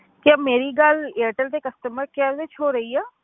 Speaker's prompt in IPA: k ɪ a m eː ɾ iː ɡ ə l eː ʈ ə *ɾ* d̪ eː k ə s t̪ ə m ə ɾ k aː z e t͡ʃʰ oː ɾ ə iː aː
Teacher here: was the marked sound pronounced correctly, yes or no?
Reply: no